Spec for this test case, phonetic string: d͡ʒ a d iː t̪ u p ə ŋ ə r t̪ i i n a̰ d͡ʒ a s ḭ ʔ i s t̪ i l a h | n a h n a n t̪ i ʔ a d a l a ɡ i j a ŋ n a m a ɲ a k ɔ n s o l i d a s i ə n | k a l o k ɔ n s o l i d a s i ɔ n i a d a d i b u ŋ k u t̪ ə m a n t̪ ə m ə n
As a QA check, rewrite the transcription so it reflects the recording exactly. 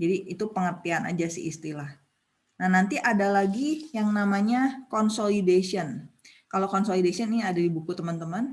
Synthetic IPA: d͡ʒ a d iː t̪ u p ə ŋ ə r t̪ i a n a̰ d͡ʒ a s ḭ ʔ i s t̪ i l a h | n a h n a n t̪ i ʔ a d a l a ɡ i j a ŋ n a m a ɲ a k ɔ n s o l i d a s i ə n | k a l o k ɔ n s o l i d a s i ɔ n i a d a d i b u k u t̪ ə m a n t̪ ə m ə n